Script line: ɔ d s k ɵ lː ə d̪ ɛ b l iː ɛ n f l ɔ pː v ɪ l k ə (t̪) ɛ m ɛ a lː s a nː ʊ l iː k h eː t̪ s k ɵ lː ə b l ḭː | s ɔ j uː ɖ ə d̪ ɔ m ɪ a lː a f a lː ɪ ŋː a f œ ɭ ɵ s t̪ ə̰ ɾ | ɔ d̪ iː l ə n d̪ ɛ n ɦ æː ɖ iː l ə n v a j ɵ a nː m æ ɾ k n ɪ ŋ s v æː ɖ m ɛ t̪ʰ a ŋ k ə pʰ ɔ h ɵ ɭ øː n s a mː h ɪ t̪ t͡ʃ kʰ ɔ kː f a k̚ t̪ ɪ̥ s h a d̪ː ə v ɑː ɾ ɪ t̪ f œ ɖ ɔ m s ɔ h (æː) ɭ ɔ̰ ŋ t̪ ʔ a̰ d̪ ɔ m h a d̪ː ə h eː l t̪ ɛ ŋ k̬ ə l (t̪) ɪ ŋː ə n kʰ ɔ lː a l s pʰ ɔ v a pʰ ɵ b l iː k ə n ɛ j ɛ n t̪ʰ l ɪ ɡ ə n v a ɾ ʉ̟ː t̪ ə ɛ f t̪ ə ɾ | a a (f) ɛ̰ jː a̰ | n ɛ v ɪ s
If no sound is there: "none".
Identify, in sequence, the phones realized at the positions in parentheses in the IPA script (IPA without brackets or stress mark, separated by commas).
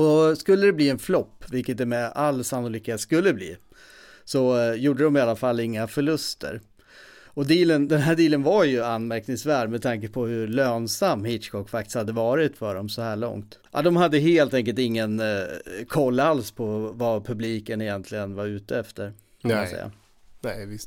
t̪, æː, t̪, s